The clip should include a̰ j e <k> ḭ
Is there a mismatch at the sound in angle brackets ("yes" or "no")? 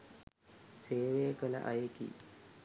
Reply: no